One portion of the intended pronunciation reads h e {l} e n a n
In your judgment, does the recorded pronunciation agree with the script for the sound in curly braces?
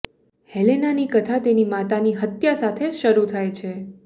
yes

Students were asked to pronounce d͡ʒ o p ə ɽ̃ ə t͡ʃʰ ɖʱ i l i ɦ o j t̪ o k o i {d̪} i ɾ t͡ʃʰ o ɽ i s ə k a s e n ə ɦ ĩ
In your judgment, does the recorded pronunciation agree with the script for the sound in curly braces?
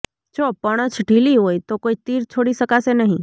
no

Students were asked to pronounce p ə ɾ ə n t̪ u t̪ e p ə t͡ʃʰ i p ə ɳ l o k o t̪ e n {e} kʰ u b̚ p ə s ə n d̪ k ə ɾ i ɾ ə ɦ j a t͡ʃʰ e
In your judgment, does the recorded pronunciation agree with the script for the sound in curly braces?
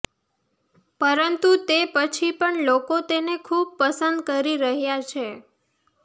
yes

